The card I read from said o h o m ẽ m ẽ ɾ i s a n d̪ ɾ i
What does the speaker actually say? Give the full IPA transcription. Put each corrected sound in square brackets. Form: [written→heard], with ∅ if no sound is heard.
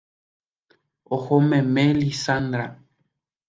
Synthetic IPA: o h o m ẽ m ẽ [ɾ→l] i s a n d̪ ɾ [i→a]